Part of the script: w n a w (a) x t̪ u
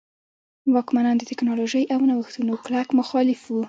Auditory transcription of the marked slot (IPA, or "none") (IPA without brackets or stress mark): ə